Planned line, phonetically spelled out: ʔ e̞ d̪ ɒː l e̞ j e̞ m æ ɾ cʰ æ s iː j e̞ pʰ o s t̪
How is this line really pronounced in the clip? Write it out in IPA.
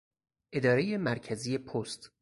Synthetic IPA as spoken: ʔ e̞ d̪ ɒː ɾ e̞ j e̞ m æ ɾ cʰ æ z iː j e̞ pʰ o s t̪

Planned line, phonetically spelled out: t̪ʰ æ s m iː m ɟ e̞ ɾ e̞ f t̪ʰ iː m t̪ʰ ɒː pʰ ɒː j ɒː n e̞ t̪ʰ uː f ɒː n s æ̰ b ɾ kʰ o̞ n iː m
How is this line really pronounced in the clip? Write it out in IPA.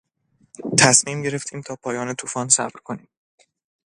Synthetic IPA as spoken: t̪ʰ æ s m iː m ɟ e̞ ɾ e̞ f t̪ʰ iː m t̪ʰ ɒː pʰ ɒː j ɒː n e̞ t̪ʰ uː f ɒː n s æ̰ b ɾ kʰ o̞ n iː m

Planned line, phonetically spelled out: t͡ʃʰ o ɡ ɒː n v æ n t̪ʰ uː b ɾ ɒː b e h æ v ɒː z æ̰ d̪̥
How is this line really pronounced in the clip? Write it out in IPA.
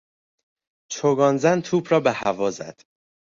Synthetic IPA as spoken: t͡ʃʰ o ɡ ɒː n z æ n t̪ʰ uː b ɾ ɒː b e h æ v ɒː z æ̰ d̪̥

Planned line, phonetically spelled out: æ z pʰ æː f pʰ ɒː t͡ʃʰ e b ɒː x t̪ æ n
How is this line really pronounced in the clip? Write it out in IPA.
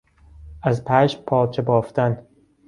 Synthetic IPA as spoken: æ z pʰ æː ʃ pʰ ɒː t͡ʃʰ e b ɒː f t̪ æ n

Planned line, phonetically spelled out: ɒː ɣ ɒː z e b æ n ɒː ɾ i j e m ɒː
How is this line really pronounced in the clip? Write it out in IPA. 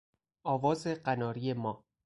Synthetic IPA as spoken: ɒː v ɒː z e ɢ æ n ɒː ɾ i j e m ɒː

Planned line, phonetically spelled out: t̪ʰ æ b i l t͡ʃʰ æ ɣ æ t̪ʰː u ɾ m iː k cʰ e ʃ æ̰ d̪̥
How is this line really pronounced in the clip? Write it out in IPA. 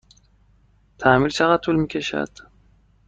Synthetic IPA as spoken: t̪ʰ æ m i l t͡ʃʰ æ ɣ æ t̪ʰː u l m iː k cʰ e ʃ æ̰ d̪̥

